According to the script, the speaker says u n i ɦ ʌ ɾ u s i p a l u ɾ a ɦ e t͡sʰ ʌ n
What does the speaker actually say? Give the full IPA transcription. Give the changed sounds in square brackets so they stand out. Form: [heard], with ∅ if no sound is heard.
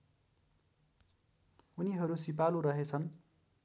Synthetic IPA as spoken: u n i ɦ ʌ ɾ u s i p a l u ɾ [ʌ] ɦ e t͡sʰ ʌ n